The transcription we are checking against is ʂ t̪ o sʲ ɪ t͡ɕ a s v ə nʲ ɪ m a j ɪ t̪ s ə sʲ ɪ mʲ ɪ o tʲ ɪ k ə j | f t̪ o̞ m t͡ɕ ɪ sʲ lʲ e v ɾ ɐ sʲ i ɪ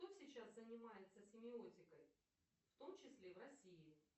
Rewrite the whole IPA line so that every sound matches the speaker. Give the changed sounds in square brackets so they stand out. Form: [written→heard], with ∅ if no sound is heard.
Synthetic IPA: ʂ t̪ o sʲ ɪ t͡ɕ a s [v→z] ə nʲ ɪ m a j ɪ t̪ s ə sʲ ɪ mʲ ɪ o tʲ ɪ k ə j | f t̪ o̞ m t͡ɕ ɪ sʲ lʲ e v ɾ ɐ sʲ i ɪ